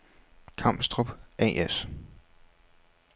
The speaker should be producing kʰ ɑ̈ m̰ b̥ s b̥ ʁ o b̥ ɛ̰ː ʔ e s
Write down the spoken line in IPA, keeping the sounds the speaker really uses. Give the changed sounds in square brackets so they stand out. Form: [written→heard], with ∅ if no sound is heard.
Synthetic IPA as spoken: kʰ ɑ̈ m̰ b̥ s [b̥→d̥] ʁ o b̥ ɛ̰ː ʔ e s